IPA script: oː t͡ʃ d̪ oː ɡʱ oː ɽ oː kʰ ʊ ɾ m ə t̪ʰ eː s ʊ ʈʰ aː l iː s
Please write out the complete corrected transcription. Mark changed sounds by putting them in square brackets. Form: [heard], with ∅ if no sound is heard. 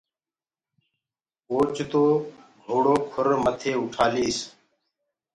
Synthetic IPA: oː t͡ʃ [t̪] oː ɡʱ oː ɽ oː kʰ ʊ ɾ m ə t̪ʰ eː [∅] ʊ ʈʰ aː l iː s